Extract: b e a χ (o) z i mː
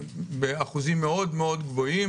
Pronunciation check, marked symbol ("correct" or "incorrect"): incorrect